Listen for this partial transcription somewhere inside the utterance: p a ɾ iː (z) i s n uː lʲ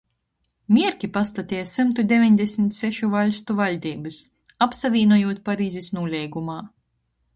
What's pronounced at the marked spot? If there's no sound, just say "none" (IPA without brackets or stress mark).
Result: z